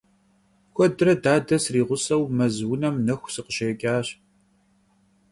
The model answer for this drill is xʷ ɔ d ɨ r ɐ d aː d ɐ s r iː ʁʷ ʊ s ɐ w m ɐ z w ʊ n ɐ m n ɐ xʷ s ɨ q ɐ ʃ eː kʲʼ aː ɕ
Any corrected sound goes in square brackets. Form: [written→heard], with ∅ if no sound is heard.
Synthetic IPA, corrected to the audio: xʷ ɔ d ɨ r ɐ d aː d ɐ s r iː ʁʷ ʊ s ɐ w m ɐ z w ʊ n ɐ m n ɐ xʷ s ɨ q [ɐ→ə] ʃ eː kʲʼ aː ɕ